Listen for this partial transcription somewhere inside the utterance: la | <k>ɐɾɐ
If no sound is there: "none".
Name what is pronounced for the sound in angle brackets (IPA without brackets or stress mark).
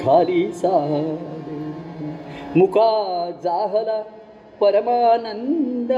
p